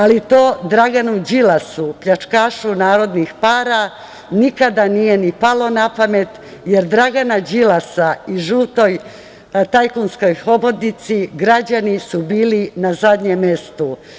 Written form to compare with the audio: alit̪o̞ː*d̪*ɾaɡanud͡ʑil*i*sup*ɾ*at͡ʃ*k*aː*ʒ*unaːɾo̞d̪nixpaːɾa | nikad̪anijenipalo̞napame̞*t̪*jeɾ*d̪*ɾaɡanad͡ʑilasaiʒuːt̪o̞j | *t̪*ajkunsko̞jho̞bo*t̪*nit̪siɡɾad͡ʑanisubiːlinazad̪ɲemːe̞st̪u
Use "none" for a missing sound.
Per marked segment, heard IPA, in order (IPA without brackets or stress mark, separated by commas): d̪, a, ʎ, k, ʃ, t̪, d̪, t̪, d̪